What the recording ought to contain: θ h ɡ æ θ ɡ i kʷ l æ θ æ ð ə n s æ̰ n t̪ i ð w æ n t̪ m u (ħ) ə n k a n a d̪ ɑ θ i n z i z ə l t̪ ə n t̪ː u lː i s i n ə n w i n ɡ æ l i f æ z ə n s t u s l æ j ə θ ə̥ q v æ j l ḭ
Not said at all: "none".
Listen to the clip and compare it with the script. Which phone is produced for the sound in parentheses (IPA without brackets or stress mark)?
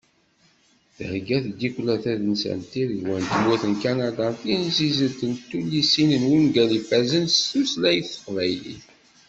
θ